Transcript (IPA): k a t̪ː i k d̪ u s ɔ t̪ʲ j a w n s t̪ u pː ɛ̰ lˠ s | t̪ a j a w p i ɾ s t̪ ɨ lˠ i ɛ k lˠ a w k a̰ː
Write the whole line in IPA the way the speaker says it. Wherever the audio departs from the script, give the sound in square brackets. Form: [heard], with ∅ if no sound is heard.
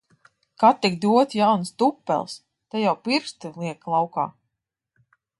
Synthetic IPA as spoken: k a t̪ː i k d̪ u [∅] ɔ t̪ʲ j a w n s t̪ u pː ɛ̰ lˠ s | t̪ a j a w p i ɾ s t̪ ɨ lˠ i ɛ k lˠ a w k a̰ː

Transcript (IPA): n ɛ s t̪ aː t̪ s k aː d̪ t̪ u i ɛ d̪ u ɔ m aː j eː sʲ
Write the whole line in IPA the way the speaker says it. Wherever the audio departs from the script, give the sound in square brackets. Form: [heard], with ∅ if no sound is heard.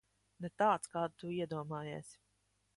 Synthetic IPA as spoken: n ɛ [∅] t̪ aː t̪ s k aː d̪ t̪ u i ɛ d̪ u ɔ m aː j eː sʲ

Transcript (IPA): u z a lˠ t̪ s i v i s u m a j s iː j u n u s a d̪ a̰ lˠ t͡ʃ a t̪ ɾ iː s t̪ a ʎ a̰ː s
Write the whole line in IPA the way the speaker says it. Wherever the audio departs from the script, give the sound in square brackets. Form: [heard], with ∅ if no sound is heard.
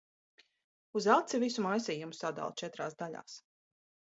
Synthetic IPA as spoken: u z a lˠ t̪ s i v i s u m a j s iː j u [m] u s a d̪ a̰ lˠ t͡ʃ [ɛ] t̪ ɾ [aː] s [d̪] a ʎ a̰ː s

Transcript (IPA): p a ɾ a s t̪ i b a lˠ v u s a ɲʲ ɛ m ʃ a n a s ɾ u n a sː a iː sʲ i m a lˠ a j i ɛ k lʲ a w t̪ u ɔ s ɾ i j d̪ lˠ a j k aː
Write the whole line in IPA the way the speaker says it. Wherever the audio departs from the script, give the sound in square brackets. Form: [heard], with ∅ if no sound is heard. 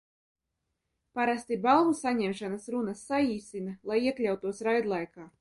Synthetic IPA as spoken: p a ɾ a s t̪ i b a lˠ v u s a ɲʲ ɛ m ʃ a n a s ɾ u n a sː a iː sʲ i [n] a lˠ a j i ɛ k lʲ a w t̪ u ɔ s ɾ [a] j d̪ lˠ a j k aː

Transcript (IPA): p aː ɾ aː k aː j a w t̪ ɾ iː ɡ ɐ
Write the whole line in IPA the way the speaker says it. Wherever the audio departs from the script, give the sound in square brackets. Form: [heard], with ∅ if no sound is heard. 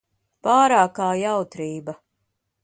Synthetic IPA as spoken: p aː ɾ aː k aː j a w t̪ ɾ iː [b] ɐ

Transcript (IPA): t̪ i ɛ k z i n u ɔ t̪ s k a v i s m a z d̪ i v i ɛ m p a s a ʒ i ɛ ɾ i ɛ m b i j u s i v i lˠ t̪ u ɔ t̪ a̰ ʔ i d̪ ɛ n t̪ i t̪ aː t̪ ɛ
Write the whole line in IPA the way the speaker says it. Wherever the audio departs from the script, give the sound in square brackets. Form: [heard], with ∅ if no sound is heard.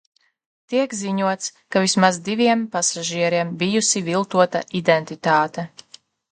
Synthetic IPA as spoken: t̪ i ɛ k z i [ɲ] u ɔ t̪ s k a v i s m a z d̪ i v i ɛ m p a s a ʒ i ɛ ɾ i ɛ m b i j u s i v i lˠ t̪ u ɔ t̪ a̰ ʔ i d̪ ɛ n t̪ i t̪ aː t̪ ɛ

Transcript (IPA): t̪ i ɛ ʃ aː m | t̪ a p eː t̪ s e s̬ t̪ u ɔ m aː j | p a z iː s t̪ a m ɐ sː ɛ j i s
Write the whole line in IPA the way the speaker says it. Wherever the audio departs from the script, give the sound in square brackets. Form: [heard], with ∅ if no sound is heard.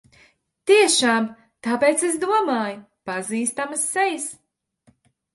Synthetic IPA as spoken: t̪ i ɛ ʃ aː m | t̪ a p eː t̪ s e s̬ [d̪] u ɔ m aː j | p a z iː s t̪ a m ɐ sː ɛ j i s

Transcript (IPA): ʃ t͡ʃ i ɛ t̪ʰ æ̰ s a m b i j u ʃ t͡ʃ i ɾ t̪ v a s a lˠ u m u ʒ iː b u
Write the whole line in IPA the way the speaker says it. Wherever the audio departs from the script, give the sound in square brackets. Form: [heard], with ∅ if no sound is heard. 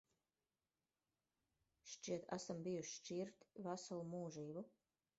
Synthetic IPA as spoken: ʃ t͡ʃ i ɛ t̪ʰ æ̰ s a m b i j u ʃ t͡ʃ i ɾ t̪ v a s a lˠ u m [uː] ʒ iː b u

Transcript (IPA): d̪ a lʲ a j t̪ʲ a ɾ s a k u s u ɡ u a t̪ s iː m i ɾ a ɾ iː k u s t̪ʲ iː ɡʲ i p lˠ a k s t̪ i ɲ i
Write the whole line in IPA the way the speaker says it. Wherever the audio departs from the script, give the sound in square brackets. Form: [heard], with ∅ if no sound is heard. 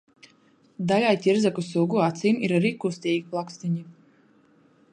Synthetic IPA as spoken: d̪ a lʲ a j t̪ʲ [i] ɾ [z] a k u s u ɡ u a t̪ s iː m i ɾ a ɾ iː k u s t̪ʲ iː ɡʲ i p lˠ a k s t̪ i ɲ i

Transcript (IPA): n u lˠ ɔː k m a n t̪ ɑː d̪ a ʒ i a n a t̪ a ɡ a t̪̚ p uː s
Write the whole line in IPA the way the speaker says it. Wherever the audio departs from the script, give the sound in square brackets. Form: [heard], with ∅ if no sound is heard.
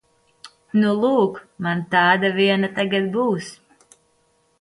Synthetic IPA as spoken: n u lˠ [uː] k m a n t̪ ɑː d̪ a [v] i [ɛ] n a t̪ a ɡ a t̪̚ [b] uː s

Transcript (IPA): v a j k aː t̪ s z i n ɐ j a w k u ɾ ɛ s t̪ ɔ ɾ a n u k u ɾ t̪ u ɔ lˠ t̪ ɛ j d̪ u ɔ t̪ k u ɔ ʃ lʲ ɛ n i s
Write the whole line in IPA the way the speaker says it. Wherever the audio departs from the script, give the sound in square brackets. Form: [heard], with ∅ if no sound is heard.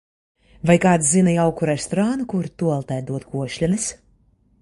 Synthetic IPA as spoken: v a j k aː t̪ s z i n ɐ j a w k u ɾ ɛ s t̪ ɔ ɾ a n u k u ɾ t̪ u ɔ lˠ t̪ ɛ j d̪ u ɔ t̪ k u ɔ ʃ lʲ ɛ n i s

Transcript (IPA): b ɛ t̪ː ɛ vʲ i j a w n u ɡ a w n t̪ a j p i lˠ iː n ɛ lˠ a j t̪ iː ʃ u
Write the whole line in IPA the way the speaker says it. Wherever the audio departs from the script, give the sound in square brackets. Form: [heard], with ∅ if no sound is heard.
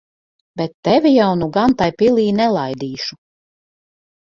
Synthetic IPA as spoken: b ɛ t̪ː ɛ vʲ i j a w n u ɡ a [∅] n t̪ a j p i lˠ iː n ɛ lˠ a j [d̪] iː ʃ u

